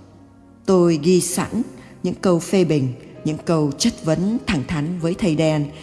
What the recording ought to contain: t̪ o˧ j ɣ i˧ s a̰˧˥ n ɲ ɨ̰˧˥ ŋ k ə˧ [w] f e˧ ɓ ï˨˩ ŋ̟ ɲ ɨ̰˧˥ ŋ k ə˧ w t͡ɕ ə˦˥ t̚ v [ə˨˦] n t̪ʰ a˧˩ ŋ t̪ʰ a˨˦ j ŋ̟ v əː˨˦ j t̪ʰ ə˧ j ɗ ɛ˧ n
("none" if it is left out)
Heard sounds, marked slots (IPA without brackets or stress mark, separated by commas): w, ə˨˦